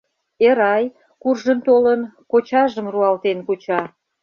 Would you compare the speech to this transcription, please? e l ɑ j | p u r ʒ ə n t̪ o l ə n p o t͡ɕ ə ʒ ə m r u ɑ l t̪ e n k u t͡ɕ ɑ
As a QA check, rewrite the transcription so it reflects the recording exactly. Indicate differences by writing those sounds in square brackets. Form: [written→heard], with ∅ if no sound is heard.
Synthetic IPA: e [l→ɾ] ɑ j | [p→k] u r ʒ ə n t̪ o l ə n [p→k] o t͡ɕ [ə→ɑ] ʒ ə m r u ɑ l t̪ e n k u t͡ɕ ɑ